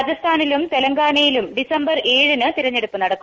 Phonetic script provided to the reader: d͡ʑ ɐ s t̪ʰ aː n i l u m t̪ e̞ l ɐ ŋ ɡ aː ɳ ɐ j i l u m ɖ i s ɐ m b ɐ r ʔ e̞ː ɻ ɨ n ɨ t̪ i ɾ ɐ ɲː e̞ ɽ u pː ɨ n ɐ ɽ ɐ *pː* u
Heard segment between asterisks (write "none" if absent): kː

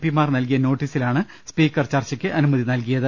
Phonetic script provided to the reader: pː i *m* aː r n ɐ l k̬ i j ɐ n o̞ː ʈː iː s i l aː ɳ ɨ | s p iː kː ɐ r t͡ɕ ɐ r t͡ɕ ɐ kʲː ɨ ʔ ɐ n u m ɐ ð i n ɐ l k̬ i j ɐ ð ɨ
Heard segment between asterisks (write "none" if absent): m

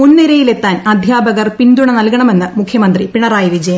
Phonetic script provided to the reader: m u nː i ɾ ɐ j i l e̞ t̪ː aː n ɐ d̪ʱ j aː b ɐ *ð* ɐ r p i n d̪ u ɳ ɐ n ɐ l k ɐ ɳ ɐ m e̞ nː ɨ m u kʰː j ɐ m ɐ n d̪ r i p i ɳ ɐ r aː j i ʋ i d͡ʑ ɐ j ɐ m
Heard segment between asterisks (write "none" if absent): ɣ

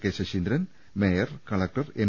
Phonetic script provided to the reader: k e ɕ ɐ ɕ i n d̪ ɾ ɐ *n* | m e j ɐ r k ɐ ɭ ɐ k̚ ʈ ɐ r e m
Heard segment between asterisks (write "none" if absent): n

